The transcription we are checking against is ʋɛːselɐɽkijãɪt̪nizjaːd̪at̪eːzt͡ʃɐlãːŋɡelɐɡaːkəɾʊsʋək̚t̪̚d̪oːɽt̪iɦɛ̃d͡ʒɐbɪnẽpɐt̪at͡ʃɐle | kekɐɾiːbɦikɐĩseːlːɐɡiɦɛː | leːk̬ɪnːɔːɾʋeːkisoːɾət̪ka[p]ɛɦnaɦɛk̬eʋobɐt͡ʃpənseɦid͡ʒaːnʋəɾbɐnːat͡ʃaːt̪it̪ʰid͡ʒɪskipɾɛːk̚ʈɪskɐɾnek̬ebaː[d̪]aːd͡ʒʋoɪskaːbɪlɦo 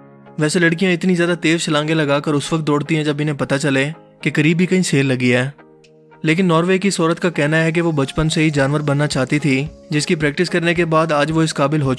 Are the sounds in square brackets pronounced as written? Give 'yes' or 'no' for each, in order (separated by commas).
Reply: no, yes